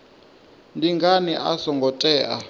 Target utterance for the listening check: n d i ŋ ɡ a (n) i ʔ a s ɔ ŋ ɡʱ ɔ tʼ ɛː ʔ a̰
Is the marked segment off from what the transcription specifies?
no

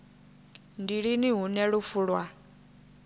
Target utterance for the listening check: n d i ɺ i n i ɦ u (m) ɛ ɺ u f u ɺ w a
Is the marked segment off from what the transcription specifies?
yes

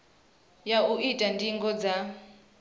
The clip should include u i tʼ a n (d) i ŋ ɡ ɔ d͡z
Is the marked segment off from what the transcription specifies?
no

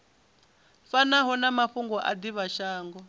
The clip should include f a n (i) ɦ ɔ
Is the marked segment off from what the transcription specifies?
yes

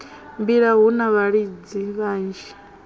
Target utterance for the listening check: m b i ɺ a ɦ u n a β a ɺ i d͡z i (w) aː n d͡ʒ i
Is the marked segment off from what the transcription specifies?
yes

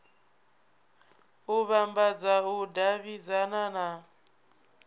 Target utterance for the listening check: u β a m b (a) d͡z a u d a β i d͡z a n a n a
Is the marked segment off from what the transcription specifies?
no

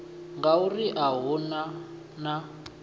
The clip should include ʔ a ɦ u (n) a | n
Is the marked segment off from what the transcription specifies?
no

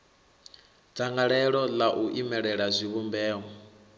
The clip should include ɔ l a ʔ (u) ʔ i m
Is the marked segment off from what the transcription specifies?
no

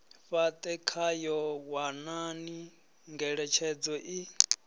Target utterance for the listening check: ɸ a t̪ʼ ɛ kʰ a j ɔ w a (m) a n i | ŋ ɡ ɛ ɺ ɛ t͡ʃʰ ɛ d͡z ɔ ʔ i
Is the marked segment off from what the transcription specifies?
yes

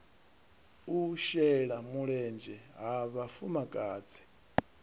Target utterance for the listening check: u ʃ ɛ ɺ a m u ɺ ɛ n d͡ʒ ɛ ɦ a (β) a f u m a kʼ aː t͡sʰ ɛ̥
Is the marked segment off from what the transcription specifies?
no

